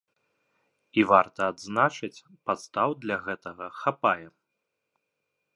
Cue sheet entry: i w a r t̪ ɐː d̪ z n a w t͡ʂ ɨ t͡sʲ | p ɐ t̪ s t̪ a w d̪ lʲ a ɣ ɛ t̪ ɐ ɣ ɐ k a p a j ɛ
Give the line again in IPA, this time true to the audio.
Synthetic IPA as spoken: i v a r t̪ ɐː d̪ z n a t͡ʂ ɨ t͡sʲ | p a t̪ s t̪ a w d̪ lʲ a ɣ ɛ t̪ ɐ ɣ ɐ x a p a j ɛ